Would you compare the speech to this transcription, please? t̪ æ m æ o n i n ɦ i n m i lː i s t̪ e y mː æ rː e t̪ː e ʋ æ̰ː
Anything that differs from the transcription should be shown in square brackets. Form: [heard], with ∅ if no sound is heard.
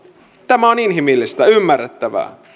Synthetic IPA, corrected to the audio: t̪ æ m æ o n i n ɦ i [∅] m i lː i s t̪ [æ] y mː æ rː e t̪ː [æ] ʋ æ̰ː